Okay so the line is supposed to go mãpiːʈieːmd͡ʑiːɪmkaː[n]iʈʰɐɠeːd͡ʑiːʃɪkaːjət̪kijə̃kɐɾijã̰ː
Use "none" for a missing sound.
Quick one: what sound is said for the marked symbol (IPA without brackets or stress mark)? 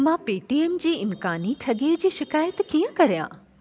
n